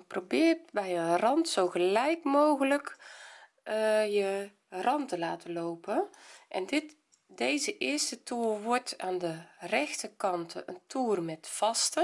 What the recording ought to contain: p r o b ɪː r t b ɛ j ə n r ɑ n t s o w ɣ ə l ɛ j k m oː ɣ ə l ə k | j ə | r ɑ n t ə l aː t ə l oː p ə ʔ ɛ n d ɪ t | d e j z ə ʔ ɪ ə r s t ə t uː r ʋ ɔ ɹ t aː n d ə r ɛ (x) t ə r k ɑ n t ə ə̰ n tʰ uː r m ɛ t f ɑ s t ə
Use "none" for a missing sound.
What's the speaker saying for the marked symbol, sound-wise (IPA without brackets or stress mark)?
x